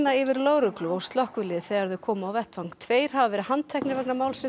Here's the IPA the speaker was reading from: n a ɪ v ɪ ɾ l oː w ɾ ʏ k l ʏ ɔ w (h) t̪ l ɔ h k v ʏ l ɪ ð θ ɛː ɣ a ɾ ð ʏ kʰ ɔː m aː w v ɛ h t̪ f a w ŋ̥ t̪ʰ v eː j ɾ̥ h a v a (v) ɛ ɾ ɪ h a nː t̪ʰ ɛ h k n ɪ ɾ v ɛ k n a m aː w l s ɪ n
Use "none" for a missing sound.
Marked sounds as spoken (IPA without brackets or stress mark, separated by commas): s, v